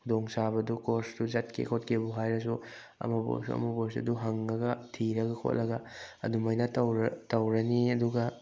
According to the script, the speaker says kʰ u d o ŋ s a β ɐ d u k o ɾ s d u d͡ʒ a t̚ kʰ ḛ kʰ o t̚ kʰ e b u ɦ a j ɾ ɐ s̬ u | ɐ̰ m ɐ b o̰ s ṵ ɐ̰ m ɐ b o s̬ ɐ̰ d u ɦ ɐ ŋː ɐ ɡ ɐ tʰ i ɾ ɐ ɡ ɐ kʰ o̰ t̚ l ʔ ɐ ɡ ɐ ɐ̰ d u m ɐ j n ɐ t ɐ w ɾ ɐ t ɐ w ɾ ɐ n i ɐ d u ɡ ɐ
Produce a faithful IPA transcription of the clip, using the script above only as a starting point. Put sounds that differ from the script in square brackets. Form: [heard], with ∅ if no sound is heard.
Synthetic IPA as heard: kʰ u d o ŋ s a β ɐ d u k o ɾ s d u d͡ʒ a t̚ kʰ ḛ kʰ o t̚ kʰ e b u ɦ a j ɾ ɐ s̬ u | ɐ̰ m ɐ b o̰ s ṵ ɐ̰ m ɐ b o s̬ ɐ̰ d u ɦ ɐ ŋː ɐ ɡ ɐ tʰ i ɾ ɐ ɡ ɐ kʰ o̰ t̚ l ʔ ɐ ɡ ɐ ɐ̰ d u m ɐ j n ɐ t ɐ w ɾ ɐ t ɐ w ɾ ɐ n i ɐ d u ɡ ɐ